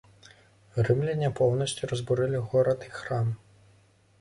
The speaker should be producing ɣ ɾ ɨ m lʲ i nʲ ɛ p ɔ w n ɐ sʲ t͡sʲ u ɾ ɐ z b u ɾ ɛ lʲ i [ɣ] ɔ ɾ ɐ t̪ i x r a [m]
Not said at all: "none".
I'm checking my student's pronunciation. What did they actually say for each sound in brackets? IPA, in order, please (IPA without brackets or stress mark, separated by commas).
ɣ, m